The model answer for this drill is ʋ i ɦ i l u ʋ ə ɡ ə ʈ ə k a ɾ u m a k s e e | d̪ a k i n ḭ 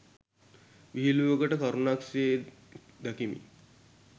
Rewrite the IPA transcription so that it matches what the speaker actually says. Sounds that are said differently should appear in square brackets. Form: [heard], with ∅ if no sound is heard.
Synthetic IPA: ʋ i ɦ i l u ʋ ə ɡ ə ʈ ə k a ɾ u [n] a k s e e | d̪ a k i [m] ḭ